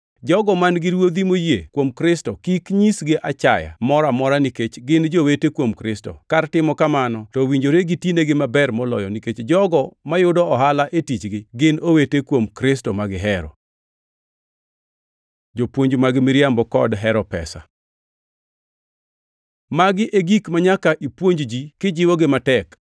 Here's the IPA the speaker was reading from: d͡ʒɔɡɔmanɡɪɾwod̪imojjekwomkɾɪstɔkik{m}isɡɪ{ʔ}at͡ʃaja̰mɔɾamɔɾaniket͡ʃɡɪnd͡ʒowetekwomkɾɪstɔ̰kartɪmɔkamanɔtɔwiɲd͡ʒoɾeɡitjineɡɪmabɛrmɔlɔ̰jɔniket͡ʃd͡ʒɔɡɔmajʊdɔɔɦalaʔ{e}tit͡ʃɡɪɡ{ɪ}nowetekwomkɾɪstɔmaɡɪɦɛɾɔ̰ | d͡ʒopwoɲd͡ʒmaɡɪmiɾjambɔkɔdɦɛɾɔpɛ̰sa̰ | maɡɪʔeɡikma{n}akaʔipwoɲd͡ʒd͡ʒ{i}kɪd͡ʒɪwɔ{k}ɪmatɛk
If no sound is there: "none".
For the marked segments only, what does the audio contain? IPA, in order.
ɲ, ʔ, e, ɪ, ɲ, i, ɡ

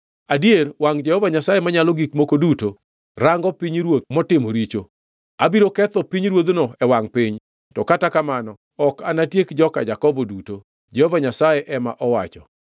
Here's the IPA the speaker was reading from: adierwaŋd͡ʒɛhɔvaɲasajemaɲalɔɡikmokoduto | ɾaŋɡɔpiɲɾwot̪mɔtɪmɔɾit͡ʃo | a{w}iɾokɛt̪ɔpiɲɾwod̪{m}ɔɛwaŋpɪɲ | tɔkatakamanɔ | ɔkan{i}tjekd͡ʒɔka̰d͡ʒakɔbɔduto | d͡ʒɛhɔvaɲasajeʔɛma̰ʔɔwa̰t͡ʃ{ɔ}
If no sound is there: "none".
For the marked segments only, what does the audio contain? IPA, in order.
b, n, a, ɔ

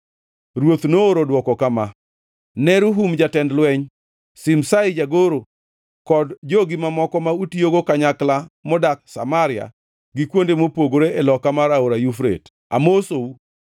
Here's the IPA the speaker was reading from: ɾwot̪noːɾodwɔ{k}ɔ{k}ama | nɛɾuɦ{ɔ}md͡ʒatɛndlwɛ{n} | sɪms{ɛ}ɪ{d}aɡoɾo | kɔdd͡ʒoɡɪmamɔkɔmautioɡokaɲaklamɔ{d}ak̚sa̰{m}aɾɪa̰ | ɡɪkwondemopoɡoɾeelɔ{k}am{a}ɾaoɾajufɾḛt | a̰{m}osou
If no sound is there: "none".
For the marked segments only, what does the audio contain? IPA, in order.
k, k, u, ɲ, a, d͡ʒ, d, m, k, a, m

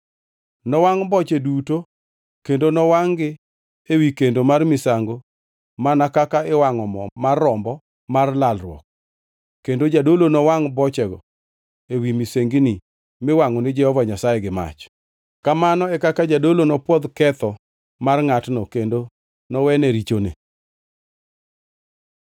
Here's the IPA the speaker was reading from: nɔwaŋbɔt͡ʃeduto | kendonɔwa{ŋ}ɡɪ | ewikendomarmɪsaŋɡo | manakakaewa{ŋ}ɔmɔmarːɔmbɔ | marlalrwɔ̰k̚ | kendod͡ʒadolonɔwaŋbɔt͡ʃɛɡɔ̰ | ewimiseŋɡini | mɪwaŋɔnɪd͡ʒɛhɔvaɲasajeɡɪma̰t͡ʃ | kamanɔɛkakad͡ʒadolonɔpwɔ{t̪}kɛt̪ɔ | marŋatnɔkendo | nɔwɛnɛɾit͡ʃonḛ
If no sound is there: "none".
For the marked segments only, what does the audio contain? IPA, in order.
ŋ, ŋ, d̪

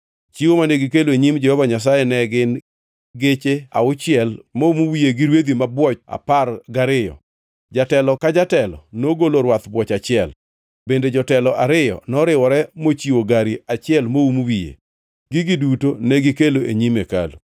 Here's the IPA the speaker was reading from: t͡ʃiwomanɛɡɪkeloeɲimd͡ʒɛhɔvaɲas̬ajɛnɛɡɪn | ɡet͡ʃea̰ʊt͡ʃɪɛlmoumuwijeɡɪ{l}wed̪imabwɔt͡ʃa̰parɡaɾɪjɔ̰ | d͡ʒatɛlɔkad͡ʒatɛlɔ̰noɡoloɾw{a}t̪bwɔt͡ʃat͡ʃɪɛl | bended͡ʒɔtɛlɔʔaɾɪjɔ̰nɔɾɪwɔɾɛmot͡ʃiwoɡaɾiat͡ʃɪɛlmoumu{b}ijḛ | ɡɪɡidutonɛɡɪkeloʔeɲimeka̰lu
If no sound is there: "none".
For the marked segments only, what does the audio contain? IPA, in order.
ɾ, a, w

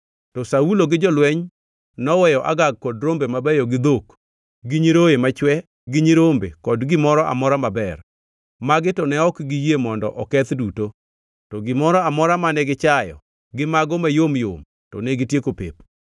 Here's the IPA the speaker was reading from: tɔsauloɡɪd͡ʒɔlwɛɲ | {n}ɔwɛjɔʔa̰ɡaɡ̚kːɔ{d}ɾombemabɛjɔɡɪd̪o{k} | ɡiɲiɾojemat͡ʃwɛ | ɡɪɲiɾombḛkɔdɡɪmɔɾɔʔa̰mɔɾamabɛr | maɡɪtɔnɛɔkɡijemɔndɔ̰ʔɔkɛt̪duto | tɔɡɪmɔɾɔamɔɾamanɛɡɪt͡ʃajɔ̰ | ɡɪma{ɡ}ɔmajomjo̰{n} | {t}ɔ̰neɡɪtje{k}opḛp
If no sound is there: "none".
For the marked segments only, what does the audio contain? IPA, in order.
n, d, k, ɡ, m, t, k

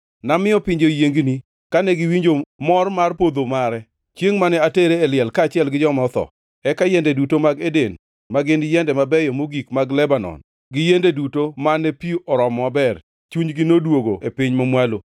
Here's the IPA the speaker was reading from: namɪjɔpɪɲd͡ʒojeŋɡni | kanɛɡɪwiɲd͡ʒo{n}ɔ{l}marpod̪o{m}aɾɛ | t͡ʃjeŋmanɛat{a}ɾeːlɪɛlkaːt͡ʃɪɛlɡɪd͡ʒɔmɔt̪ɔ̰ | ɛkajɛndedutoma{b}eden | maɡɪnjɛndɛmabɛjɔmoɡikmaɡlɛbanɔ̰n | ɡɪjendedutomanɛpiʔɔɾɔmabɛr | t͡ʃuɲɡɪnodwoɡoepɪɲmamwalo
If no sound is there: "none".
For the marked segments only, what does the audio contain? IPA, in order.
m, r, m, e, ɡ

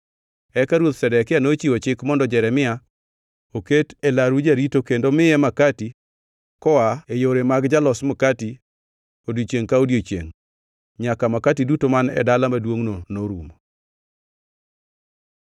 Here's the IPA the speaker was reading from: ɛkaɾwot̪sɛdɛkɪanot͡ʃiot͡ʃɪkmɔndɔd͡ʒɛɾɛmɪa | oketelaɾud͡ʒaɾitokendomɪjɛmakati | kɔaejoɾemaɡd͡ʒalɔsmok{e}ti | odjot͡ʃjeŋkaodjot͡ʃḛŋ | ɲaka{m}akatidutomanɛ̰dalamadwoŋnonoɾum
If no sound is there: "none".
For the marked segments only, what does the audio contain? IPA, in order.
a, m

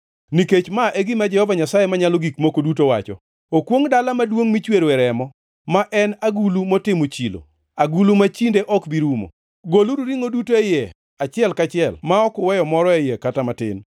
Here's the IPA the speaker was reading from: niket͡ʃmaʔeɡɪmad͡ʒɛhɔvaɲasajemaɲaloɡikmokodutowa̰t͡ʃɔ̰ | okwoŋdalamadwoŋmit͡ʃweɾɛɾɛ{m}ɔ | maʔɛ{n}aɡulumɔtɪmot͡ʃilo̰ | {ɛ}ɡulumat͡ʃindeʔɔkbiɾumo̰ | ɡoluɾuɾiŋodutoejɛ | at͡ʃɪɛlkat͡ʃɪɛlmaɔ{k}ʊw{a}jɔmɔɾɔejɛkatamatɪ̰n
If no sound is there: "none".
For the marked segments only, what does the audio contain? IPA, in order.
m, n, a, k, ɛ

